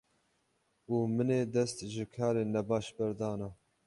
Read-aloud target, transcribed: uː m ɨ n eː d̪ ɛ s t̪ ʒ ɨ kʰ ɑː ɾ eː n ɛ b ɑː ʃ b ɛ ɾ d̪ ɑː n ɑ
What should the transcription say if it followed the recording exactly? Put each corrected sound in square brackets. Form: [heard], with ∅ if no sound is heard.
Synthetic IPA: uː m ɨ n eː d̪ ɛ s t̪ ʒ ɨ kʰ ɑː ɾ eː n ɛ b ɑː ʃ b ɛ ɾ d̪ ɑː n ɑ